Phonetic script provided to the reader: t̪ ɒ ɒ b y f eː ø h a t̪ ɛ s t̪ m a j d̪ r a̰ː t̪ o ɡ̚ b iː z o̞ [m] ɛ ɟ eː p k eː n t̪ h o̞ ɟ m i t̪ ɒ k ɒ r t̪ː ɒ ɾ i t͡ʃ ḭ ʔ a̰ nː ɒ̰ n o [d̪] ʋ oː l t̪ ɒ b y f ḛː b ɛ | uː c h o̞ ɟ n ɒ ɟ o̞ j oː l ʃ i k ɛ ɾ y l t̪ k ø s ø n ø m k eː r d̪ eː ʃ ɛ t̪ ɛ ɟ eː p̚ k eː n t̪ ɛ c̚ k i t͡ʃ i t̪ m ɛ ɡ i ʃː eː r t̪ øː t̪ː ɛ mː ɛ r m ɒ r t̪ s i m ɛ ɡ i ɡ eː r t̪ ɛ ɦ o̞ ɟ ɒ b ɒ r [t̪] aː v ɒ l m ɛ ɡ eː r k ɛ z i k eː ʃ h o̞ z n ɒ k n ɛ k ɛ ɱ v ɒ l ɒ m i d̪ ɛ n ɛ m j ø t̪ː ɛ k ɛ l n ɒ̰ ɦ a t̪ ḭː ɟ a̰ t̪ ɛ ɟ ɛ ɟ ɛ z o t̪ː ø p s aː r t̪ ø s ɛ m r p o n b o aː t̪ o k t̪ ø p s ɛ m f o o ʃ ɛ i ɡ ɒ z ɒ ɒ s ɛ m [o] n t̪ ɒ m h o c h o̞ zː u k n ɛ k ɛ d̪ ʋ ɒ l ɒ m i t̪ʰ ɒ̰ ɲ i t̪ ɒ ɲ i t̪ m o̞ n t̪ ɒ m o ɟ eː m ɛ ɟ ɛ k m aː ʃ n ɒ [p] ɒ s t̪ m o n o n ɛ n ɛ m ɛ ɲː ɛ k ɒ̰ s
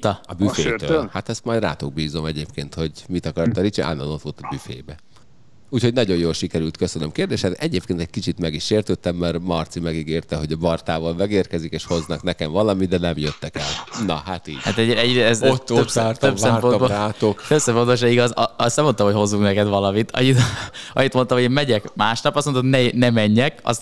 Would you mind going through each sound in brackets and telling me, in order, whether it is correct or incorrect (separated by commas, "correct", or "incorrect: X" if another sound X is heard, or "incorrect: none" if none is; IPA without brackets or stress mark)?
correct, incorrect: t̪, correct, correct, correct